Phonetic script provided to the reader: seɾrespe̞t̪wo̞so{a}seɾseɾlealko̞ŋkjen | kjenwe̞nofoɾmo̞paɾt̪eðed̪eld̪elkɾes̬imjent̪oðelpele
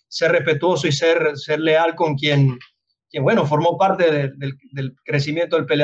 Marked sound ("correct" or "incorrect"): incorrect